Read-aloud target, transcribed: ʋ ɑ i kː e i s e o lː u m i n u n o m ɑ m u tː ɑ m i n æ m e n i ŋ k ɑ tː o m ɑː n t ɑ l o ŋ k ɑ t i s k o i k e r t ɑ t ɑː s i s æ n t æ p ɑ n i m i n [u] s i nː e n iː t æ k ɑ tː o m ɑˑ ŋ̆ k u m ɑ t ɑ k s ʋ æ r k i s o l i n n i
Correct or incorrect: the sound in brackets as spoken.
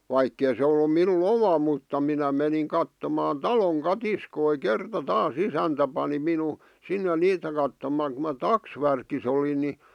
correct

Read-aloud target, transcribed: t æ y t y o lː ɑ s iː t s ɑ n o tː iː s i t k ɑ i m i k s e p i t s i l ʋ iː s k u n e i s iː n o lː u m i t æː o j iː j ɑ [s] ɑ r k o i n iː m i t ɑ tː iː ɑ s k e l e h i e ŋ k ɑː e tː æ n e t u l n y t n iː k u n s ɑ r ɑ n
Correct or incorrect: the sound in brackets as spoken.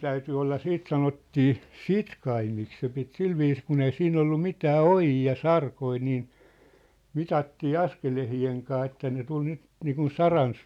correct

